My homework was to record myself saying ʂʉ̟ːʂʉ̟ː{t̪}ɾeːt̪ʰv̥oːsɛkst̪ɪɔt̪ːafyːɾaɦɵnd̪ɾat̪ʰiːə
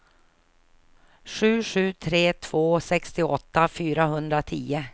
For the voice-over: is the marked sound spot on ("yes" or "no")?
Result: no